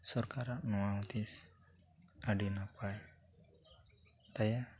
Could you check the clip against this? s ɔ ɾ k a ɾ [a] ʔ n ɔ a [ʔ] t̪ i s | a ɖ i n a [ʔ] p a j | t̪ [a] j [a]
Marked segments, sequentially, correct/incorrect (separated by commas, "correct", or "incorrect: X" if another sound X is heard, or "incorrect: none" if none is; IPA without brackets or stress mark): correct, incorrect: none, incorrect: none, correct, correct